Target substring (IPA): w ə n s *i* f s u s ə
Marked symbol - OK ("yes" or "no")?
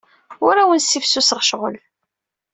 yes